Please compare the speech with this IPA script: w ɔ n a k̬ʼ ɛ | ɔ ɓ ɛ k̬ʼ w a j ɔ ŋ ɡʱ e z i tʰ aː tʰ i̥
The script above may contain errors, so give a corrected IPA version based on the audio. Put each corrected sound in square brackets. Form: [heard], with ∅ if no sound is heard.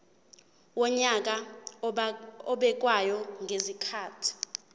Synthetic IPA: w ɔ [ɲ] a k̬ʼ [a] | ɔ ɓ ɛ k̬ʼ w a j ɔ ŋ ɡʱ e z i [kʰ] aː tʰ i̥